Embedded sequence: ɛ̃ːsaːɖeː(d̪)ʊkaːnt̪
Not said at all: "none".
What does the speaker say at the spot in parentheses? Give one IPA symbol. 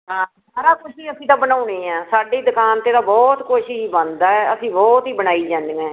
d̪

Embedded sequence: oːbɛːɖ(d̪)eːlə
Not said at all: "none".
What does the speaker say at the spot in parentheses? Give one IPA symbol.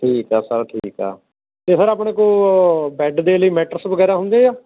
d̪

